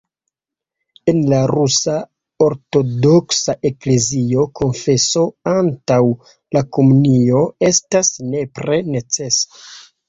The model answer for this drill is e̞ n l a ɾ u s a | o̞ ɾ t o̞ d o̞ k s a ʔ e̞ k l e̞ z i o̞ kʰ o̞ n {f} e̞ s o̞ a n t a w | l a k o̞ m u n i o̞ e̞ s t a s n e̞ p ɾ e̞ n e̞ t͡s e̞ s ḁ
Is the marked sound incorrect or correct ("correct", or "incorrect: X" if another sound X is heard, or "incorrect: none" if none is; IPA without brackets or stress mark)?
correct